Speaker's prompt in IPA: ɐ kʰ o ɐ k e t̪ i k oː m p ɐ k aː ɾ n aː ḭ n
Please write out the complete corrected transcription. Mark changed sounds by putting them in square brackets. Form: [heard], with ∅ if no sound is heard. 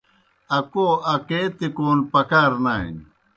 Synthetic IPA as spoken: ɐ [k] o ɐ k e t̪ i k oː [n] p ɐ k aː ɾ n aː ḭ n